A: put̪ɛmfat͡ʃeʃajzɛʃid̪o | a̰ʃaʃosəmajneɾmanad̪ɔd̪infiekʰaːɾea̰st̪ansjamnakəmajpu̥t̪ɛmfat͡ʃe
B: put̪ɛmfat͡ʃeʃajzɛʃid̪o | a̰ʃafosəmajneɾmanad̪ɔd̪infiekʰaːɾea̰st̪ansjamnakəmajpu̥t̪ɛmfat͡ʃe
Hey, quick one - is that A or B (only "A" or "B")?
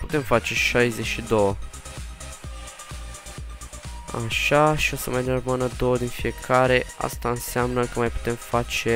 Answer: A